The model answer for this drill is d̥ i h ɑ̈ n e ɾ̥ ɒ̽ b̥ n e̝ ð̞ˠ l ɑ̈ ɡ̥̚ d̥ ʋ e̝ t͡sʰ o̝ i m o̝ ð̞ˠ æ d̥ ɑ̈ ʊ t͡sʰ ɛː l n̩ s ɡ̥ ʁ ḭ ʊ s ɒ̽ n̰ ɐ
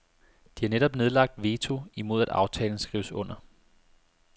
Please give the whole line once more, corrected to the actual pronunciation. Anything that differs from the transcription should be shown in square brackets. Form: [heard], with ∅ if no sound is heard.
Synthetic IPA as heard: d̥ i h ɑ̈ n e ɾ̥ ɒ̽ b̥ n e̝ ð̞ˠ l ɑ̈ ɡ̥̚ d̥ ʋ e̝ t͡sʰ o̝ i m o̝ ð̞ˠ æ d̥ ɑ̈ ʊ t͡sʰ ɛː l n̩ s ɡ̥ ʁ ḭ ʊ s [ɔ̽] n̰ ɐ